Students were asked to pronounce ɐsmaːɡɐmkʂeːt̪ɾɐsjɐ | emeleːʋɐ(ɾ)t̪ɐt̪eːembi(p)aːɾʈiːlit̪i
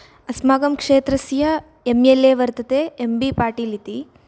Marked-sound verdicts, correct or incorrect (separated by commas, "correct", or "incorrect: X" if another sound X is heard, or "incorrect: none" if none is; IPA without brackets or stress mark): correct, correct